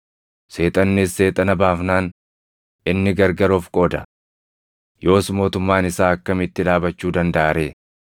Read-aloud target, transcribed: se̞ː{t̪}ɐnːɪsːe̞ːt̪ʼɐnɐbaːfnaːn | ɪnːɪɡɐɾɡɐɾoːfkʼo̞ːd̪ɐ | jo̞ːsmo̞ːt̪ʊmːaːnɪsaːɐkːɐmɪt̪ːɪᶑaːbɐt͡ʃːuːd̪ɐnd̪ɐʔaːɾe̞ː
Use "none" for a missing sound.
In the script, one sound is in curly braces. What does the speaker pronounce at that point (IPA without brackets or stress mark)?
t̪ʼ